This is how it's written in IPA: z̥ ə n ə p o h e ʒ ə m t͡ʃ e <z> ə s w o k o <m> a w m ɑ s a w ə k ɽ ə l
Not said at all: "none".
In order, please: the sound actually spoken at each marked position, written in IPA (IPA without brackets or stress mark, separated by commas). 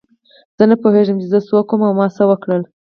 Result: z, m